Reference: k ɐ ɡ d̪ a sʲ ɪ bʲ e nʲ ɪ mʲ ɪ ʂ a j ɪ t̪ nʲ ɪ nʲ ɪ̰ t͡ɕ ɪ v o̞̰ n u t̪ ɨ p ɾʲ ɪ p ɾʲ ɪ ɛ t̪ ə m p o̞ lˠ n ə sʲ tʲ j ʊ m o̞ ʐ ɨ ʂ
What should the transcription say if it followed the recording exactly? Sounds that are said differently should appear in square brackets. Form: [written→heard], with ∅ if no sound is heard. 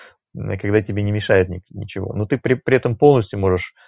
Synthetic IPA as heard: k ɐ ɡ d̪ a [sʲ→tʲ] ɪ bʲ e nʲ ɪ mʲ ɪ ʂ a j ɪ t̪ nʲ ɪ nʲ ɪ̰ t͡ɕ ɪ v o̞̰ n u t̪ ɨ p ɾʲ ɪ p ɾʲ ɪ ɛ t̪ ə m p o̞ lˠ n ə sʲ tʲ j ʊ m o̞ ʐ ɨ ʂ